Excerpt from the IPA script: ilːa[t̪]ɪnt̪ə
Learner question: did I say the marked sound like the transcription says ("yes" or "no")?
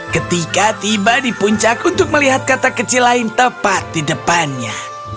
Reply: no